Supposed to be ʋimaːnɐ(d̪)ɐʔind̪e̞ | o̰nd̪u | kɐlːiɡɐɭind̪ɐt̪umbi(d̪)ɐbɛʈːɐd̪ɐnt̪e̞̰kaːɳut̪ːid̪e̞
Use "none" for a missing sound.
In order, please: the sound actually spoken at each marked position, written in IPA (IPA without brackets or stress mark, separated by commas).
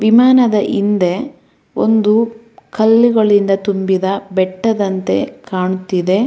d̪, d̪